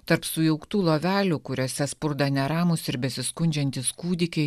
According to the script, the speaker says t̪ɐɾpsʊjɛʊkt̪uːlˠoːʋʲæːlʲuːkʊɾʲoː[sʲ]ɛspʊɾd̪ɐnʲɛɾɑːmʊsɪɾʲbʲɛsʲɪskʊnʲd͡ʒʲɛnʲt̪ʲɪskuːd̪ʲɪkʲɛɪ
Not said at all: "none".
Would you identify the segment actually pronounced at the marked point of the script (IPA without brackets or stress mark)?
sʲ